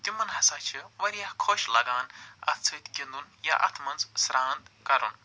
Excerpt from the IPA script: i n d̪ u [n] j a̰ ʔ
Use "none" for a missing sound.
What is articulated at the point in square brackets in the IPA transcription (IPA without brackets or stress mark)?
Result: n